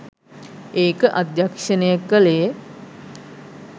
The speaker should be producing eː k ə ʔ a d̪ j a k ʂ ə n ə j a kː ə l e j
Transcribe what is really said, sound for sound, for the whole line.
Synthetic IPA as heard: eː k ə ʔ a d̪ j a k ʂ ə n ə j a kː ə l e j